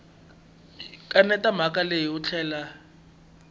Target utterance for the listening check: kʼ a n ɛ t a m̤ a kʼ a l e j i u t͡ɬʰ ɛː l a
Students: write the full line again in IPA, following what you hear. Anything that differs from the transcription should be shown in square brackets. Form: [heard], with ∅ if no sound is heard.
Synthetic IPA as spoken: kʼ a n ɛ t a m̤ a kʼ a l e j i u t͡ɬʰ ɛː l a